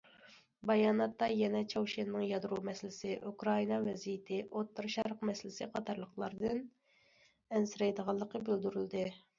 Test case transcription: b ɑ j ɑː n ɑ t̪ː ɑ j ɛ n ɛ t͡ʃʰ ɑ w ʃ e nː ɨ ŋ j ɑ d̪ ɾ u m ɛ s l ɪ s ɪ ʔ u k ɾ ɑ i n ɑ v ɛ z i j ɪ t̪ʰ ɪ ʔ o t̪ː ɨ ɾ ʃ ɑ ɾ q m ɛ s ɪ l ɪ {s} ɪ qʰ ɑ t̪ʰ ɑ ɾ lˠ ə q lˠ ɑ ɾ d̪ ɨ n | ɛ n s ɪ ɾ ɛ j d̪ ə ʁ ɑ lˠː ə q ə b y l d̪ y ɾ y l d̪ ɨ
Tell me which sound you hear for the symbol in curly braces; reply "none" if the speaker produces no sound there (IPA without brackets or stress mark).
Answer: s